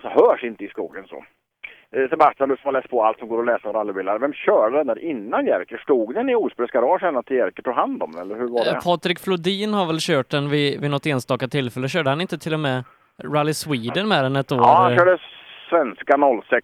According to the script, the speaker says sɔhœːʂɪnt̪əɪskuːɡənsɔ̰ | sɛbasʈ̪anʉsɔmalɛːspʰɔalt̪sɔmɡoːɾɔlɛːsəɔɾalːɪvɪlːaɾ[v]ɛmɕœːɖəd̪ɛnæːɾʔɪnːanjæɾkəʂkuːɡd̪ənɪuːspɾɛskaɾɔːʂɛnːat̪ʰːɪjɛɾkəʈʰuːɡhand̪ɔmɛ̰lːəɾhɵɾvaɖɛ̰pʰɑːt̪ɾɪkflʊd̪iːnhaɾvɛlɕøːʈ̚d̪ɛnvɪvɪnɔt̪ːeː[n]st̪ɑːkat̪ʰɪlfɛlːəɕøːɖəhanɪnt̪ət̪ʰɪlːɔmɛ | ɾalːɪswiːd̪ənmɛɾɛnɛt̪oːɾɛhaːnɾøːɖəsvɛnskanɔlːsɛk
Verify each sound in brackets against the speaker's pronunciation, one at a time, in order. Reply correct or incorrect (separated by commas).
correct, correct